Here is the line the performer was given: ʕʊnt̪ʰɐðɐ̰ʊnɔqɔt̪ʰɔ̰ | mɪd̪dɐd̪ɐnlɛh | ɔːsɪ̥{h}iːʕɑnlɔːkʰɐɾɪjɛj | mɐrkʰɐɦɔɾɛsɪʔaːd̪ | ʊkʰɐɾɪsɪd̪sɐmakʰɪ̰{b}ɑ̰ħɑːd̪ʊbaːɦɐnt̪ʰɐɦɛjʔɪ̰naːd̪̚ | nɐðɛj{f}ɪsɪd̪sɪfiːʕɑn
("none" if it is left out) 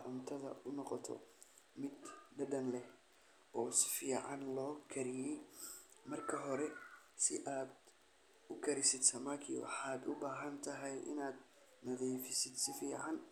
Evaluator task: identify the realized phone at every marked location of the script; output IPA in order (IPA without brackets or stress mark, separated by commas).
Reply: f, w, f